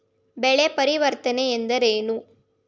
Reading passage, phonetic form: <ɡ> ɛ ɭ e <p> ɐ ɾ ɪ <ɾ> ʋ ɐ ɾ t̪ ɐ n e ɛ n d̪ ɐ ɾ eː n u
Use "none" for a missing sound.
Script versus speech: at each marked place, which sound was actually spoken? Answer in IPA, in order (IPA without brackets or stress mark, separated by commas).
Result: b, p, none